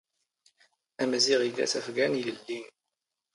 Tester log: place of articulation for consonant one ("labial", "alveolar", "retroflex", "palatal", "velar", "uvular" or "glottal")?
labial